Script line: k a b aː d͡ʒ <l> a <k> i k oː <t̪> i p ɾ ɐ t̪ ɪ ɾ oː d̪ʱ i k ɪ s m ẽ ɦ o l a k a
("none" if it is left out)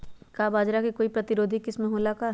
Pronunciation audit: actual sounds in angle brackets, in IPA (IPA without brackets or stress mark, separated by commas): ɾ, k, none